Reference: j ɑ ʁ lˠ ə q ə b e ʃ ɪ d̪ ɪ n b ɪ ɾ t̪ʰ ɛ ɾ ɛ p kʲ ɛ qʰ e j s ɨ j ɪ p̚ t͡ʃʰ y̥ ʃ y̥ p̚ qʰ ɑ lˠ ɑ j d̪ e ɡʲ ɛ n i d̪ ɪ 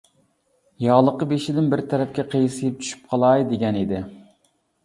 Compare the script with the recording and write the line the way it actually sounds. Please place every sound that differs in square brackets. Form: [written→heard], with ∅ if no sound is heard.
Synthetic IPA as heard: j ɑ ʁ lˠ ə q ə b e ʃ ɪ d̪ ɪ n b ɪ ɾ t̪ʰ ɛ ɾ ɛ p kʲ ɛ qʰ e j s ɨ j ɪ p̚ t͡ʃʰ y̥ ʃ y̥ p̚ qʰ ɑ lˠ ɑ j d̪ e ɡʲ ɛ n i d̪ ɪ